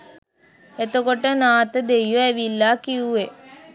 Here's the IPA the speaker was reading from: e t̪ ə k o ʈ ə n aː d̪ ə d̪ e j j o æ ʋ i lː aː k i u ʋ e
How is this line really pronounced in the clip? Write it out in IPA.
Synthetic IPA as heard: e t̪ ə k o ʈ ə n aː t̪ ə d̪ e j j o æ ʋ i lː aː k i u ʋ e